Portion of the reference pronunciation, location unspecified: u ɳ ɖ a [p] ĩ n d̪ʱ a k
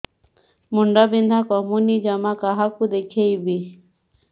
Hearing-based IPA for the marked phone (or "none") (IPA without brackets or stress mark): b